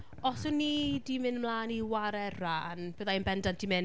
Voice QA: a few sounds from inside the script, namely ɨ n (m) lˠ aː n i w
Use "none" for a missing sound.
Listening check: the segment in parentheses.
m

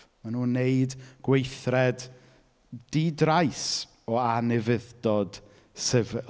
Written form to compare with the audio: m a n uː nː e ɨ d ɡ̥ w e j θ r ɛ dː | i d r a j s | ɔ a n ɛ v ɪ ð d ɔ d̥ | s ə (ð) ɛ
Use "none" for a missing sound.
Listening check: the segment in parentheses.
v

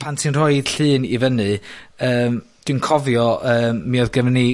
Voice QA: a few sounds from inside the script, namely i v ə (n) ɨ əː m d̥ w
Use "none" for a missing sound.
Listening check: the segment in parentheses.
n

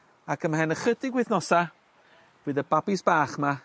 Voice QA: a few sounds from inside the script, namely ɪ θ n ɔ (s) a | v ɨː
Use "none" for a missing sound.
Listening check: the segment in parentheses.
s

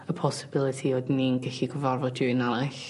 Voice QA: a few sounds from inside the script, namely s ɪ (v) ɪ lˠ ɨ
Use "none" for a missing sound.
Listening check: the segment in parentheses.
b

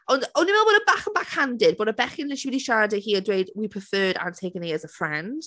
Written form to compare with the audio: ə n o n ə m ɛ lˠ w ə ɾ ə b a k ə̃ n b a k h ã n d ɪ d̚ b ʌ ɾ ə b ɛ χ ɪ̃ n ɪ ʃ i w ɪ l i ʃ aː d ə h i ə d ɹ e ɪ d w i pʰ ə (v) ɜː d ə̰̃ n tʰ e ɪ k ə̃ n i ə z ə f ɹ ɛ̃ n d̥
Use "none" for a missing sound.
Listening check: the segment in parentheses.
f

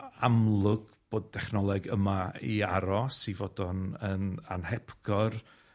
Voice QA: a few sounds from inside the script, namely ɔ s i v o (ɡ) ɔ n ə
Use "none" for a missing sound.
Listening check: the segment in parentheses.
d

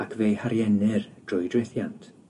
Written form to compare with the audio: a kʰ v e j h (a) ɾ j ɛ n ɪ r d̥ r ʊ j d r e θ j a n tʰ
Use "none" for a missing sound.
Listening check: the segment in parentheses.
a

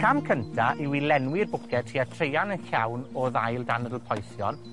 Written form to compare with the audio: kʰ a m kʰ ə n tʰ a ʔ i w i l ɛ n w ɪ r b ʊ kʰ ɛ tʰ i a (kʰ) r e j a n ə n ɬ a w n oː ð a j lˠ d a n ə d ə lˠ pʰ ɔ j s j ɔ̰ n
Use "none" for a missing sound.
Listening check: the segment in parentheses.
tʰ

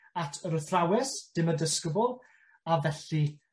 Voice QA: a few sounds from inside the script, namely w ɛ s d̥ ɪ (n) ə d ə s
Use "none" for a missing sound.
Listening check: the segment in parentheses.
m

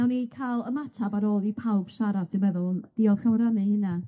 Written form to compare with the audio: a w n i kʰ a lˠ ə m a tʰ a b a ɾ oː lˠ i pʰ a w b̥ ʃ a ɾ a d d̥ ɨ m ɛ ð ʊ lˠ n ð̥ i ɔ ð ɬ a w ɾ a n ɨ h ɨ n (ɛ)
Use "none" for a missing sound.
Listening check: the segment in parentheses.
a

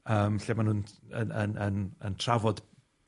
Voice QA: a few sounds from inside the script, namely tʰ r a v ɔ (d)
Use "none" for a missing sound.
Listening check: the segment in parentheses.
d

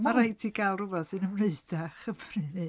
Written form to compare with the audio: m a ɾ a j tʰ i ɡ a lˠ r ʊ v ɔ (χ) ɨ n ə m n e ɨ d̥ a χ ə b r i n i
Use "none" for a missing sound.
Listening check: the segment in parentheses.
s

